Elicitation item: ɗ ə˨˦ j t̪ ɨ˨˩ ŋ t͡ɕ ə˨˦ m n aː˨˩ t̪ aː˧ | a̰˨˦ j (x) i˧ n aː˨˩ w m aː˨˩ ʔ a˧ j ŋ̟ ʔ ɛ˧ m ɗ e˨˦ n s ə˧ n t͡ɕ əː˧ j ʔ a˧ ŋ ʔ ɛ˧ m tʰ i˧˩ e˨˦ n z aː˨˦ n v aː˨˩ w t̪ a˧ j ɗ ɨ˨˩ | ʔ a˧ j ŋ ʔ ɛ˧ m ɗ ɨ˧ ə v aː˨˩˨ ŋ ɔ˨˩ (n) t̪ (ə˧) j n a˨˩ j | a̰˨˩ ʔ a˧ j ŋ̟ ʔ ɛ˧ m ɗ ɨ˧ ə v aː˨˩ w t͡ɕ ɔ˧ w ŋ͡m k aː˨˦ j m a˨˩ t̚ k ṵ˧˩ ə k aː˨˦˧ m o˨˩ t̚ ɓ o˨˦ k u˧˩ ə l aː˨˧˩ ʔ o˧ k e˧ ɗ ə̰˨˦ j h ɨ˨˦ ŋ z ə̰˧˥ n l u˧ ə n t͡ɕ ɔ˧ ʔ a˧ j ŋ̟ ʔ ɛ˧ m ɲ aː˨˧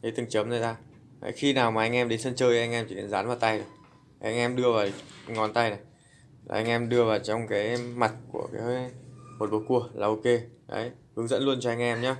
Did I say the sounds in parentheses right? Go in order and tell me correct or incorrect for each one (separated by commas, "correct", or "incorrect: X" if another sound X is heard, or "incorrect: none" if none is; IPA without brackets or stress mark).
correct, correct, incorrect: a˧